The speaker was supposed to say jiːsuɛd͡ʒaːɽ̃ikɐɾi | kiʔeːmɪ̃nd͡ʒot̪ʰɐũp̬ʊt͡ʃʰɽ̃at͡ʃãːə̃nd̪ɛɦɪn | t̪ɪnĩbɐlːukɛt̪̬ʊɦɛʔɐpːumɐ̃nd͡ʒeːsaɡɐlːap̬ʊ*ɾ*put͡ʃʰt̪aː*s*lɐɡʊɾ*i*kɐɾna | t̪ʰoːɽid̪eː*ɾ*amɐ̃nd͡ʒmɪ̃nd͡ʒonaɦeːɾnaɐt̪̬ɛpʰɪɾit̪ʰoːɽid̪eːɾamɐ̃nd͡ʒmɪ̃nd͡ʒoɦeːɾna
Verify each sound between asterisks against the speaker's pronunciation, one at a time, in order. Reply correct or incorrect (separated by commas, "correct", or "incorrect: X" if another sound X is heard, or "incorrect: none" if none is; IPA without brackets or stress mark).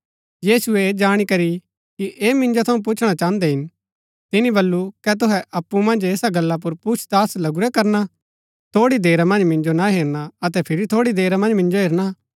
correct, correct, incorrect: ɛ, correct